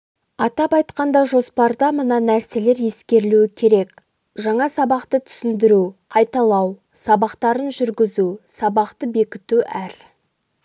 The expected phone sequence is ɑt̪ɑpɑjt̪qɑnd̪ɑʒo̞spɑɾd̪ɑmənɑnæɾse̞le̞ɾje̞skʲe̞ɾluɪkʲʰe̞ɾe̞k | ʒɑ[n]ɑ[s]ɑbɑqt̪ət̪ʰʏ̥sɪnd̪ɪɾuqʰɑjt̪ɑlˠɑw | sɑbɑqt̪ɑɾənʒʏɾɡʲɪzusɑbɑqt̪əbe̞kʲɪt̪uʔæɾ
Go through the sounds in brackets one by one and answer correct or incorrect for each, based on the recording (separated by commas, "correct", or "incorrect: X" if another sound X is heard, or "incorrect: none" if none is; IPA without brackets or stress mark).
incorrect: ɴ, correct